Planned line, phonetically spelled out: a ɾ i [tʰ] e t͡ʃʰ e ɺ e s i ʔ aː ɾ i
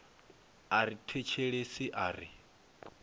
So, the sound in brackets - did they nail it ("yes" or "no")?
yes